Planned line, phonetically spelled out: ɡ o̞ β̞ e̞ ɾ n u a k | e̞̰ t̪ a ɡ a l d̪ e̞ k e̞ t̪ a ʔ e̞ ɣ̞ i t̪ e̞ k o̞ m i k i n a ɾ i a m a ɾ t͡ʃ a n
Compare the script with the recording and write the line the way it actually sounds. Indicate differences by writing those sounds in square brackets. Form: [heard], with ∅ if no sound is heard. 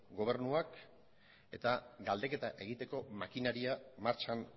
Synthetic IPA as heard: ɡ o̞ β̞ e̞ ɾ n u a k | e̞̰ t̪ a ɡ a l d̪ e̞ k e̞ t̪ a ʔ e̞ ɣ̞ i t̪ e̞ k o̞ m [a] k i n a ɾ i a m a ɾ t͡ʃ a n